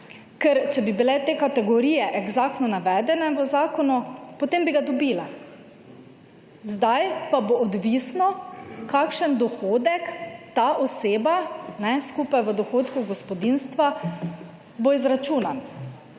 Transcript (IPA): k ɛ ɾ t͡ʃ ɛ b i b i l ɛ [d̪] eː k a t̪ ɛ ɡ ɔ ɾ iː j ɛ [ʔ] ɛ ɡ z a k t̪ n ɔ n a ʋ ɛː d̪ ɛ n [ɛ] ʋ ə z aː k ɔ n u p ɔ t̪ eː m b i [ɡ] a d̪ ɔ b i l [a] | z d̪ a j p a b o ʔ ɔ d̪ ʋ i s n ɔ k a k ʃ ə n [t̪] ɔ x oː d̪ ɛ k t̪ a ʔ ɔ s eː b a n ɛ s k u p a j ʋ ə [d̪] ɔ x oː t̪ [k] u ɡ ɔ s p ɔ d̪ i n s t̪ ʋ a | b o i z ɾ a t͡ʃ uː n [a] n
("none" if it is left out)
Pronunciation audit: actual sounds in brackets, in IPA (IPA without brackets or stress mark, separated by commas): t̪, ʔ, ɛ, ɡ, a, d̪, d̪, k, a